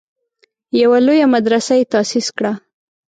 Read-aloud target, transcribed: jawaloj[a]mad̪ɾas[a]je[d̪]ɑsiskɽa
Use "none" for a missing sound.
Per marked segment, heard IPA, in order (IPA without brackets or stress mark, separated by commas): a, a, t̪